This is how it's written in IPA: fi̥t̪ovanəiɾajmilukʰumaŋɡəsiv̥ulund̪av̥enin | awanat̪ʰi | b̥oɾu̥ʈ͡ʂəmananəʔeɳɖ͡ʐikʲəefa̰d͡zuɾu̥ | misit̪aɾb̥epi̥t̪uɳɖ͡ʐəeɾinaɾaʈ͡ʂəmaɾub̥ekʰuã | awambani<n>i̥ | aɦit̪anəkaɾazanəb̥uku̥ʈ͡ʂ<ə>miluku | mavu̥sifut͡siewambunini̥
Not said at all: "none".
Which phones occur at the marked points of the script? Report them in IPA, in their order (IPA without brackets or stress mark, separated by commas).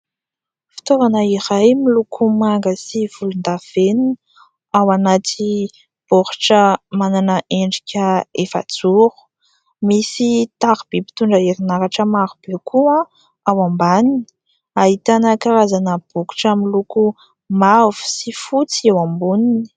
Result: n, a